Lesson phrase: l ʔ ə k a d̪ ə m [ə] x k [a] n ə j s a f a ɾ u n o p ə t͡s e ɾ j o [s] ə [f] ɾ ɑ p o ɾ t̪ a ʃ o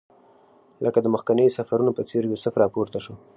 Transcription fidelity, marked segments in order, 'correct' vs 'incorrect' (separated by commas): correct, correct, correct, correct